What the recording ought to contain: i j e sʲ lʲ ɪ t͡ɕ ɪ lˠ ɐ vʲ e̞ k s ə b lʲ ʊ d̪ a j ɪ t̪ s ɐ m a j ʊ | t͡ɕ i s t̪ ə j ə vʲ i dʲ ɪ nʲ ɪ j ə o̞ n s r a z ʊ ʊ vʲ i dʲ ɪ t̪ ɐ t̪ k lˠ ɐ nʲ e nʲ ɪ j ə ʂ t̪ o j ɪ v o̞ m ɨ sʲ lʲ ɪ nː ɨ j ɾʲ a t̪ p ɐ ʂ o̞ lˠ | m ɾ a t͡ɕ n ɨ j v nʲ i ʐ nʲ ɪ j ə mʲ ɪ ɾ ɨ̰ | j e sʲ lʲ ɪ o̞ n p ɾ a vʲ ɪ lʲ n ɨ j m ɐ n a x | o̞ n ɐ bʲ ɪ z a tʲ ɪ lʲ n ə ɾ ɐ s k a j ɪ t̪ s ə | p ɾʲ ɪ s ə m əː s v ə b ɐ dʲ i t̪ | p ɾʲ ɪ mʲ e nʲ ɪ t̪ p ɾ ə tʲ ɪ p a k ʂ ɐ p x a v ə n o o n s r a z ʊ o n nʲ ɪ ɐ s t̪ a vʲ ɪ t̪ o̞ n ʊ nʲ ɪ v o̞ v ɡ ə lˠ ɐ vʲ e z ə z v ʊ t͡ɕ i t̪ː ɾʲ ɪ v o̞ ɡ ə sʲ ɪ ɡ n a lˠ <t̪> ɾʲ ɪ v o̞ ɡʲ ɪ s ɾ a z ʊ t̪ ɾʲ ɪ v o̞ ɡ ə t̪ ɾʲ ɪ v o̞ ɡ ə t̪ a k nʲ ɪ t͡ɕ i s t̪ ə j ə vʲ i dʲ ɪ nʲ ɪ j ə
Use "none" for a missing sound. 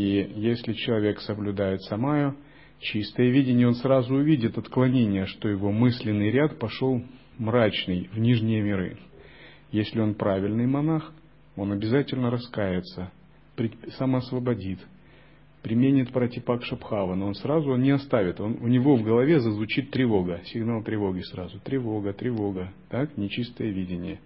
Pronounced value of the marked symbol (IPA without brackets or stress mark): t̪